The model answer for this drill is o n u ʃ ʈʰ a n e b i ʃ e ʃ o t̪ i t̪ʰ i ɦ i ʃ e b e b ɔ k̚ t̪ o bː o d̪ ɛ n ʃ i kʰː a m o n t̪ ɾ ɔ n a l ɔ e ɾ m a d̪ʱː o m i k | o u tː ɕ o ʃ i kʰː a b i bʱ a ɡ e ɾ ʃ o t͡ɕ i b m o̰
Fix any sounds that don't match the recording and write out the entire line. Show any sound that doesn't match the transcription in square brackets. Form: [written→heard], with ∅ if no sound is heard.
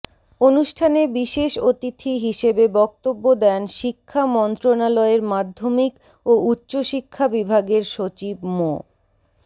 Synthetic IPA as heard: o n u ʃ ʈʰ a n e b i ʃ e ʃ o t̪ i t̪ʰ i ɦ i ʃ e b e b ɔ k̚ t̪ o bː o d̪ ɛ n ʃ i kʰː a m [o→ɔ] n t̪ ɾ [ɔ→o] n a l ɔ e ɾ m a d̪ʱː o m i k | o u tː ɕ o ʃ i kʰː a b i bʱ a ɡ e ɾ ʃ o t͡ɕ i b m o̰

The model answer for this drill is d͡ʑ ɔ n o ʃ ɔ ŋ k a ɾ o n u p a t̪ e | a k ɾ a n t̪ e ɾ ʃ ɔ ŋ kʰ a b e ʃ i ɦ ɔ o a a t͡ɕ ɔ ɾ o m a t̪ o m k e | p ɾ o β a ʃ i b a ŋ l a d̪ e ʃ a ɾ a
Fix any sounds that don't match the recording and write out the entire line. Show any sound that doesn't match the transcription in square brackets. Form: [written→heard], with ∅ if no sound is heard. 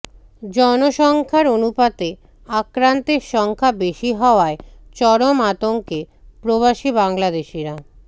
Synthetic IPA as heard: d͡ʑ ɔ n o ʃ ɔ ŋ [k→kʰ] a ɾ o n u p a t̪ e | a k ɾ a n t̪ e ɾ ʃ ɔ ŋ kʰ a b e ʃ i ɦ ɔ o a [a→e] t͡ɕ ɔ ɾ o m a t̪ o [m→ŋ] k e | p ɾ o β a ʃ i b a ŋ l a d̪ e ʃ [a→i] ɾ a

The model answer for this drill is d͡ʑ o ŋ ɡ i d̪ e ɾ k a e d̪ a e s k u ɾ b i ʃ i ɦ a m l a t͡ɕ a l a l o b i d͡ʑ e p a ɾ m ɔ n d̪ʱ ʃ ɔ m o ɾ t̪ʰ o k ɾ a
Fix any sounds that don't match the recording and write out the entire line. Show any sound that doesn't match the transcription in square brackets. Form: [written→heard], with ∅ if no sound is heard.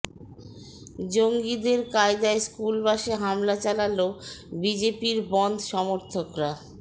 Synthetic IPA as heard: d͡ʑ o ŋ ɡ i d̪ e ɾ k a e d̪ a e s k u [ɾ→l] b [i→a] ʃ [i→e] ɦ a m l a t͡ɕ a l a l o b i d͡ʑ e p [a→i] ɾ [m→b] ɔ n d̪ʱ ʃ ɔ m o ɾ t̪ʰ o k ɾ a

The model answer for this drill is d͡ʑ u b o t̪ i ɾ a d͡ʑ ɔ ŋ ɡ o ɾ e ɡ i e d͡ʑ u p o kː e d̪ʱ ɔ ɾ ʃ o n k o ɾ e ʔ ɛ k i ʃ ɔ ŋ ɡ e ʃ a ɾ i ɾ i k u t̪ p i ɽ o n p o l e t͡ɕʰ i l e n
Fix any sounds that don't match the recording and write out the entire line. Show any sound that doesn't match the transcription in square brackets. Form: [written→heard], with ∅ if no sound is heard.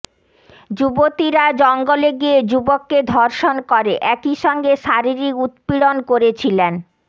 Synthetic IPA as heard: d͡ʑ u b o t̪ i ɾ a d͡ʑ ɔ ŋ ɡ o [ɾ→l] e ɡ i e d͡ʑ u [p→b] o kː e d̪ʱ ɔ ɾ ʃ o n k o ɾ e ʔ ɛ k i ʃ ɔ ŋ ɡ e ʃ a ɾ i ɾ i k u t̪ p i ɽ o n [p→k] o [l→ɾ] e t͡ɕʰ i l e n

